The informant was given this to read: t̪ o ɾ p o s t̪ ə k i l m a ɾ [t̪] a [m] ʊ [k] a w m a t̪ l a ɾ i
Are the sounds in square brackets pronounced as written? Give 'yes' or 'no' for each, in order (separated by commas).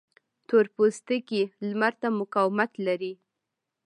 yes, yes, yes